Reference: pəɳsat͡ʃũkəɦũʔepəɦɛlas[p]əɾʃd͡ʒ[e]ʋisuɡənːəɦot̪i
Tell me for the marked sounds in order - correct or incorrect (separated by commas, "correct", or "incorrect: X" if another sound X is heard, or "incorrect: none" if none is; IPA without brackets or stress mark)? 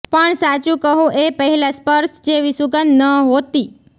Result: correct, correct